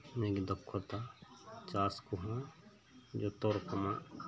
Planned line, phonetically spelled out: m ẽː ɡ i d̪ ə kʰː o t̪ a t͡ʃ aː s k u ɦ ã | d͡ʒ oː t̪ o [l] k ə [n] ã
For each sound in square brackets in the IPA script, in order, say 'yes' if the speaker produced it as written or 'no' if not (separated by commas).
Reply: no, no